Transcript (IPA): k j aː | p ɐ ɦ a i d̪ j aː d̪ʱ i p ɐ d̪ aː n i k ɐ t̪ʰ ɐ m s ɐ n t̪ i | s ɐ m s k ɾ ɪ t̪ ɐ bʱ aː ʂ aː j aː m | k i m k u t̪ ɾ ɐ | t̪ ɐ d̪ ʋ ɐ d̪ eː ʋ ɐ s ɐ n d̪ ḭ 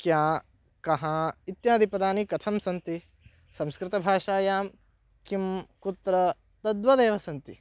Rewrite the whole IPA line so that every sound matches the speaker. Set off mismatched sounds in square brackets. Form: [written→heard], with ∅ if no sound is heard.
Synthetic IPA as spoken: k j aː | [p→k] ɐ ɦ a i [d̪→t̪] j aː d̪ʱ i p ɐ d̪ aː n i k ɐ t̪ʰ ɐ m s ɐ n t̪ i | s ɐ m s k ɾ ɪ t̪ ɐ bʱ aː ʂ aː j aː m | k i m k u t̪ ɾ ɐ | t̪ ɐ d̪ ʋ ɐ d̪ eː ʋ ɐ s ɐ n [d̪→t̪] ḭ